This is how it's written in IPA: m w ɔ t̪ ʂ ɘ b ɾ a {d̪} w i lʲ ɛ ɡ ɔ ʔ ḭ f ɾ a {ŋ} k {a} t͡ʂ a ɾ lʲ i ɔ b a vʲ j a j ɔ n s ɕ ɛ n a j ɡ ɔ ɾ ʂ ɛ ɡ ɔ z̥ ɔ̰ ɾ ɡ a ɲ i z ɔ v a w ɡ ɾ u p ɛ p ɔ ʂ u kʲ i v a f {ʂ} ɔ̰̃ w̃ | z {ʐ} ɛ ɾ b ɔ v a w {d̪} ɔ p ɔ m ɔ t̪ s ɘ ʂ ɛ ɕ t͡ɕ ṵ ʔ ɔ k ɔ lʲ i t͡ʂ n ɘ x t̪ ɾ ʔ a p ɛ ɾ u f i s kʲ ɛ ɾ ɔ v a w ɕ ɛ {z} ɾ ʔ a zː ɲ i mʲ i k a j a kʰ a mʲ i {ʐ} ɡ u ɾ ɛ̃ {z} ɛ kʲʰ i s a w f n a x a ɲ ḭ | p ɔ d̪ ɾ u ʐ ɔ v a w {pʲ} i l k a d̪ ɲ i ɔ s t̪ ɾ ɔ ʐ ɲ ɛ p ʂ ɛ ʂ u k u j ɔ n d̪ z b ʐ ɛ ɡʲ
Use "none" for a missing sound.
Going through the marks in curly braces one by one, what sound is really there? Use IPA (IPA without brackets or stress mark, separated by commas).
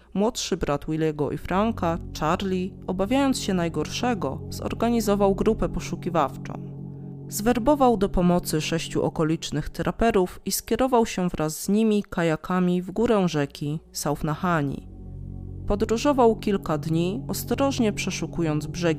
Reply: t̪, ŋ, a, t͡ʂ, v, d̪, v, v, ʐ, kʲ